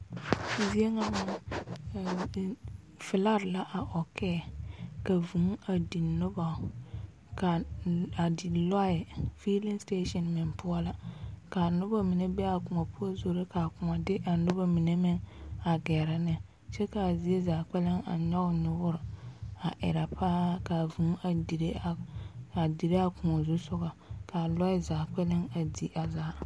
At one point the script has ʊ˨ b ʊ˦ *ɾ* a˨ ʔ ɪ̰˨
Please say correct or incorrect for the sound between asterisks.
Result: correct